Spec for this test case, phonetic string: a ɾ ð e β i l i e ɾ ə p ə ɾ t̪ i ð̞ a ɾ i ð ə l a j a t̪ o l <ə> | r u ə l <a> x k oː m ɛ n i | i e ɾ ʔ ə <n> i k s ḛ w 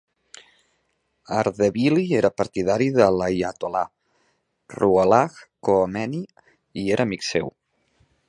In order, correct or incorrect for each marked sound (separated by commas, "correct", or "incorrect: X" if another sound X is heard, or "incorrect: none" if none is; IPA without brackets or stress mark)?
incorrect: a, correct, incorrect: m